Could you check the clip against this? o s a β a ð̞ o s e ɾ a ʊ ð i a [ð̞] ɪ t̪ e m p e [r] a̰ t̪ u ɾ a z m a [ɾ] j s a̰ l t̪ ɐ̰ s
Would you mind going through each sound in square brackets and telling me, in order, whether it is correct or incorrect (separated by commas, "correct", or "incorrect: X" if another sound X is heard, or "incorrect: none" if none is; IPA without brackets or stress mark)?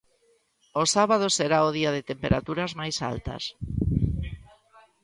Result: correct, incorrect: ɾ, incorrect: none